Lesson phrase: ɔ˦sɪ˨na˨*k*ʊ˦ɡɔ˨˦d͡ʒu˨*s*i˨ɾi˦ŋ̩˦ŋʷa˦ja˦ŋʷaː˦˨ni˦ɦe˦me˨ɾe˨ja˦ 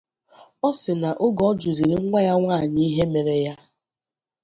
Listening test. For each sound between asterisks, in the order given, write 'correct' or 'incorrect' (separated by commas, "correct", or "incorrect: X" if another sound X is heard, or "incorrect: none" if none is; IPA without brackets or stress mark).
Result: incorrect: ʔ, incorrect: z